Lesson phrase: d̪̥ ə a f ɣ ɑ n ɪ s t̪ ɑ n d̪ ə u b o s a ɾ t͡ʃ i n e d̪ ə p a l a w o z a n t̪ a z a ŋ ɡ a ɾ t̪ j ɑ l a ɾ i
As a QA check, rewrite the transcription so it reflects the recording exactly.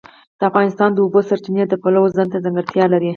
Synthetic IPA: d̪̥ ə a f ɣ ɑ n ɪ s t̪ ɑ n d̪ ə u b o s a ɾ t͡ʃ i n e d̪ ə p a l a w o z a n t̪ a z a ŋ ɡ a ɾ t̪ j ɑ l a ɾ i